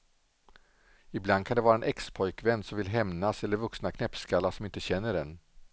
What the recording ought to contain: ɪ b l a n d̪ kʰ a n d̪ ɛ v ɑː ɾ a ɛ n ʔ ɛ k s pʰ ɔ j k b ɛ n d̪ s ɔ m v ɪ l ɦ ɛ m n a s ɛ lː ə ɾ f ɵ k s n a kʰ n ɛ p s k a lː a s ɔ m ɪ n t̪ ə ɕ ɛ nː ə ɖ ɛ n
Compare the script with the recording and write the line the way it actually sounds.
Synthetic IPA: ɪ b l a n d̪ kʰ a n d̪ ɛ v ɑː ɾ a ɛ n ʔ ɛ k s pʰ ɔ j k v ɛ n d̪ s ɔ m v ɪ l ɦ ɛ m n a s ɛ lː ə ɾ v ɵ k s n a kʰ n ɛ p s k a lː a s ɔ m ɪ n t̪ ə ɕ ɛ nː ə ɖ ɛ n